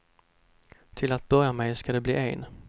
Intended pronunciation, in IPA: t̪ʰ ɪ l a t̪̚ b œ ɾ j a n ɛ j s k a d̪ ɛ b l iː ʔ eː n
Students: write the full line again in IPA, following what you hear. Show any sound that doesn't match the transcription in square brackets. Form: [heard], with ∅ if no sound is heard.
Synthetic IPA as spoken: t̪ʰ ɪ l a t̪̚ b œ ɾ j a [m] ɛ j s k a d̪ ɛ b l iː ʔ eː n